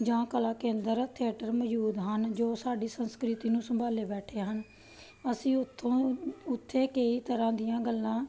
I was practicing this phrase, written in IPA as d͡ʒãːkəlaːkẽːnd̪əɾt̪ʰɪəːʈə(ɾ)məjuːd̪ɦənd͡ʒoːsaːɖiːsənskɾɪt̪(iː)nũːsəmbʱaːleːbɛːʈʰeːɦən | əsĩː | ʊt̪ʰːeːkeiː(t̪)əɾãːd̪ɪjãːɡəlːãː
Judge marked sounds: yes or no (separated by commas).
yes, yes, yes